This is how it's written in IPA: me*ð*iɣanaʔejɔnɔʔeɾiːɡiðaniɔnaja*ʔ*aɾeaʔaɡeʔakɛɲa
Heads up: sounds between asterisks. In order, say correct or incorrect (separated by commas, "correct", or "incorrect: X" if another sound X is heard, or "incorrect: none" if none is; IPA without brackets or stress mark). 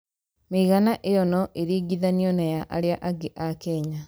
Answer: incorrect: none, correct